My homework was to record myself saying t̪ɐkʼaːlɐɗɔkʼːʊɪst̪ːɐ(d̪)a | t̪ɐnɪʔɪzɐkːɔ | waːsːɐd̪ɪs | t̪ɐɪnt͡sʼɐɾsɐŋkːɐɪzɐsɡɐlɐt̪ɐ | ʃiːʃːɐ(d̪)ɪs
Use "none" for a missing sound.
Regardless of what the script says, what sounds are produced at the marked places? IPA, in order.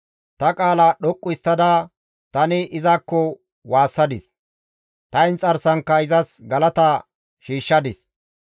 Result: d̪, d̪

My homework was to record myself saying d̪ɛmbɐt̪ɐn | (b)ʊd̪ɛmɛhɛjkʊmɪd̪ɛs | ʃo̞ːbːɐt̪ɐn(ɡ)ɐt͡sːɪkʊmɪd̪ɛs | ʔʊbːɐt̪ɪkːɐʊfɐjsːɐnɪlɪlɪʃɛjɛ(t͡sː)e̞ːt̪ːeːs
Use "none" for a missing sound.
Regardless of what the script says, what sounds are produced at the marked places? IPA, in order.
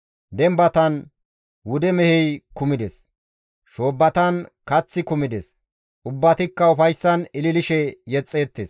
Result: w, k, t͡sʼː

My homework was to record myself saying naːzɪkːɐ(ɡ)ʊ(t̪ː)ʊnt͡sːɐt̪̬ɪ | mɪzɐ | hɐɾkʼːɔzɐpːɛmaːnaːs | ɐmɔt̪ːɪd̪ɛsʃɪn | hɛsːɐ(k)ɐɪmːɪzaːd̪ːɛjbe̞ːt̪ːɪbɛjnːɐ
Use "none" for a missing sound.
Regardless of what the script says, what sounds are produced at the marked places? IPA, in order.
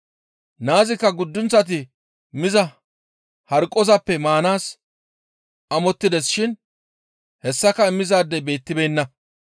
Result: ɡ, d̪ː, k

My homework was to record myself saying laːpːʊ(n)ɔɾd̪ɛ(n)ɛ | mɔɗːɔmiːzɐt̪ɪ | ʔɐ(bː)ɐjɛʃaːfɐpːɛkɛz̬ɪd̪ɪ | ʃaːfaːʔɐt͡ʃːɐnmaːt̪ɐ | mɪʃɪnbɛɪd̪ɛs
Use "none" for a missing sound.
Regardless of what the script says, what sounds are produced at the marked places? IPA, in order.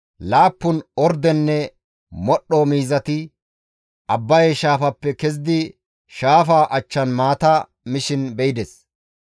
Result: n, nː, bː

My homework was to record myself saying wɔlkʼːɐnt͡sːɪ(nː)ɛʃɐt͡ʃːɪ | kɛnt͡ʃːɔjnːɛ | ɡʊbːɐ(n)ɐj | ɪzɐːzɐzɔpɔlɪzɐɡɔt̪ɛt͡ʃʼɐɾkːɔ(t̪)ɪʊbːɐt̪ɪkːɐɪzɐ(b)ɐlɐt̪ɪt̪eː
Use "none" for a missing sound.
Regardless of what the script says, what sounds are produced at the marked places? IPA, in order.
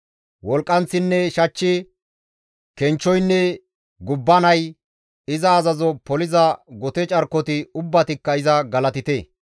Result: nː, n, t̪, ɡ

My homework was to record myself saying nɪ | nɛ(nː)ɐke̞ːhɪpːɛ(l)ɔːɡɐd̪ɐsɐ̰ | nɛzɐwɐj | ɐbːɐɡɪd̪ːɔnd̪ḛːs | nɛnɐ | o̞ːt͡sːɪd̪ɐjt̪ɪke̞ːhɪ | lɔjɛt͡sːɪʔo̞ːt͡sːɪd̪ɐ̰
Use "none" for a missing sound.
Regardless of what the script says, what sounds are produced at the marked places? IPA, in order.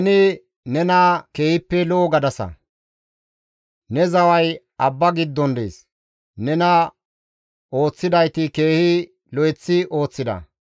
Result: n, l

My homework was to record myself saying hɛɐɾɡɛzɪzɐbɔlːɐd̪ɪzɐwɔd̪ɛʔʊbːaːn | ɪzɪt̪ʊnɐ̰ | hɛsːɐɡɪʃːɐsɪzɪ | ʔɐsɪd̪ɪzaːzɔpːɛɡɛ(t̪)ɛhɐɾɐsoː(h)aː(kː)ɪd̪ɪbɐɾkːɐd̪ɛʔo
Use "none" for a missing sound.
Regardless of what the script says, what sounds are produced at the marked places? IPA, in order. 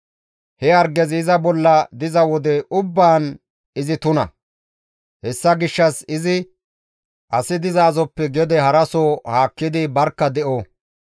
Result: d̪, h, kː

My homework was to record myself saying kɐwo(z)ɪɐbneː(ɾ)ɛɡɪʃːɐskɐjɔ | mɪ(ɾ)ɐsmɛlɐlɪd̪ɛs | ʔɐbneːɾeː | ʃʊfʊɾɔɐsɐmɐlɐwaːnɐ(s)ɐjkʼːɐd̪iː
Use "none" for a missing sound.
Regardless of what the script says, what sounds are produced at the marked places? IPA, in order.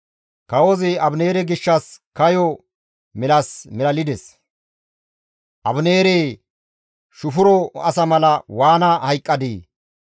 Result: z, ɾ, l, h

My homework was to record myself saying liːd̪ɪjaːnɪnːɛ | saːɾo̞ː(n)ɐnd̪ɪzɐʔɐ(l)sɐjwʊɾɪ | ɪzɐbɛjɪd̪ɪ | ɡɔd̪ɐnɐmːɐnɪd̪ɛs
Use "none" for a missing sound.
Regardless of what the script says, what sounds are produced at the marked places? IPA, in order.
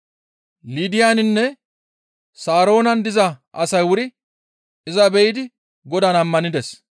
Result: n, none

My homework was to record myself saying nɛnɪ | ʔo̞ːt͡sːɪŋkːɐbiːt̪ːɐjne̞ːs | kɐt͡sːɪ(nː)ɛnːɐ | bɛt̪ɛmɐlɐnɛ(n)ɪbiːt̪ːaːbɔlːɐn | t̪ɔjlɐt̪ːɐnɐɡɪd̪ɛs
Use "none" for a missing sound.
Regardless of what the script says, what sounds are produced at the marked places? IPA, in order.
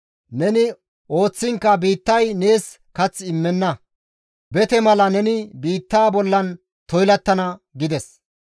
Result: mː, n

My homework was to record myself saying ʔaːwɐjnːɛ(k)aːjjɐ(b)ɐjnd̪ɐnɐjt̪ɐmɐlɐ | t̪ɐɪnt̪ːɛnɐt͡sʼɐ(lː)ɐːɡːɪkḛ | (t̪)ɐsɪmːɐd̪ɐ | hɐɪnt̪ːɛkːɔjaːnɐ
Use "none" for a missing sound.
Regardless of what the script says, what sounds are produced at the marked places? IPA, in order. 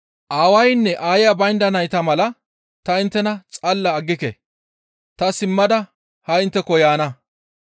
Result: ʔ, b, lː, t̪

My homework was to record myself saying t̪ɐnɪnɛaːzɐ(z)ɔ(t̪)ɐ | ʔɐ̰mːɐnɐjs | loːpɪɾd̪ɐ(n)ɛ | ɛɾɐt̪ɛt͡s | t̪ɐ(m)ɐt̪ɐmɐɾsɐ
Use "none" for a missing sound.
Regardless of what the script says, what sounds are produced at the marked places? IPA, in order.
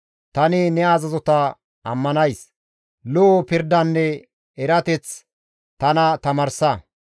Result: z, t̪, nː, n

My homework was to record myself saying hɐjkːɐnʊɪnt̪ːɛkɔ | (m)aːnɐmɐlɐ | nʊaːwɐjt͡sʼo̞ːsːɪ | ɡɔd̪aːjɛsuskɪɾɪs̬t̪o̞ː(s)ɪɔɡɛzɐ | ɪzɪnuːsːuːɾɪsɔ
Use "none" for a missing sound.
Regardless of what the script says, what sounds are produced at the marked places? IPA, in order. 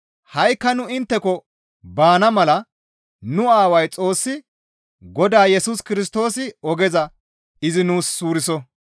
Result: b, s

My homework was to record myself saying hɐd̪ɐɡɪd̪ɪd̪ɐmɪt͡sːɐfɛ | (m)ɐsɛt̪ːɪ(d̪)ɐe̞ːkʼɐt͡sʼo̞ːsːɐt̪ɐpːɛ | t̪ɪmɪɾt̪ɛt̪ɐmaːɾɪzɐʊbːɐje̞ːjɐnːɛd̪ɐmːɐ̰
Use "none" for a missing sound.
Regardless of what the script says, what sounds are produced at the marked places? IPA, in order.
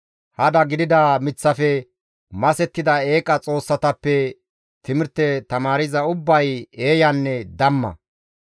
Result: m, d̪

